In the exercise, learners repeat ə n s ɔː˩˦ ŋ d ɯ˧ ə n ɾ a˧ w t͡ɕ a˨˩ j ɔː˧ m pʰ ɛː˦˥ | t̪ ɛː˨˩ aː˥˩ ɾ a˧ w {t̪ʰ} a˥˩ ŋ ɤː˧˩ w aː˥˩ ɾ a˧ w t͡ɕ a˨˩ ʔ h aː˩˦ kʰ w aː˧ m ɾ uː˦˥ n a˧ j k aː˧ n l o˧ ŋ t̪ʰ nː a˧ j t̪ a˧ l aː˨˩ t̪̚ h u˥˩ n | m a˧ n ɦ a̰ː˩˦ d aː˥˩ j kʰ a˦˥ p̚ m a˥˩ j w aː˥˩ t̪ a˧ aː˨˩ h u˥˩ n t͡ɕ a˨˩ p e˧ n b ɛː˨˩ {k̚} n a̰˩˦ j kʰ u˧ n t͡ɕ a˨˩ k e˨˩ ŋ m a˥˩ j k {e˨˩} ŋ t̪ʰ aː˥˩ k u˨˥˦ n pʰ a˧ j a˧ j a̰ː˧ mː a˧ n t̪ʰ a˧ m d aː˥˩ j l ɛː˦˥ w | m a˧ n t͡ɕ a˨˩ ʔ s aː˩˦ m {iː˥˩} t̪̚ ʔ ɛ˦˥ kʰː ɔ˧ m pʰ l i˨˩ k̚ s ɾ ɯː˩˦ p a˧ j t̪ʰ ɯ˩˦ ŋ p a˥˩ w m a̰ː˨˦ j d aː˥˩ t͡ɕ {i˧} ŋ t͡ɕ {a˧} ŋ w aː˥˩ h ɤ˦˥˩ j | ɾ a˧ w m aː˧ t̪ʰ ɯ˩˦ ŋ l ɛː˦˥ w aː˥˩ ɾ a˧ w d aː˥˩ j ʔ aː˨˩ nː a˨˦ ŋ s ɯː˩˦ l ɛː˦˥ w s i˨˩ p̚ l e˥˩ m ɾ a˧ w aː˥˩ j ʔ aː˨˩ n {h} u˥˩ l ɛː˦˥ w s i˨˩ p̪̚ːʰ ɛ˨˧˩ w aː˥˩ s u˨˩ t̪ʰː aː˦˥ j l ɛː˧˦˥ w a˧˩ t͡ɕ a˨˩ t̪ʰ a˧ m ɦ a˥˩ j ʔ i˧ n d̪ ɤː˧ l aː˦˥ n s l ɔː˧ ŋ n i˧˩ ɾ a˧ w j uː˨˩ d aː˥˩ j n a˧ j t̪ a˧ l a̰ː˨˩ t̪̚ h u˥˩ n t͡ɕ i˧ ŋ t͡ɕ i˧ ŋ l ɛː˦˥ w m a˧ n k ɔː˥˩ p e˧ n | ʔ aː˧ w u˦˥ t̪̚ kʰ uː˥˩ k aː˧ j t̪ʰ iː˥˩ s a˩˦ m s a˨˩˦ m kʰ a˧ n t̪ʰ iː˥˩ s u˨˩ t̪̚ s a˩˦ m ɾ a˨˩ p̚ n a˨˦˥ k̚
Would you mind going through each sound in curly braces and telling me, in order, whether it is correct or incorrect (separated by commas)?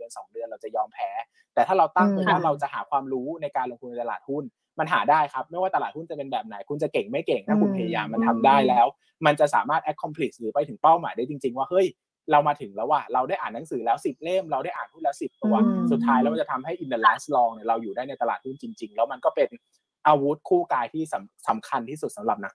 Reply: incorrect, incorrect, correct, incorrect, correct, incorrect, correct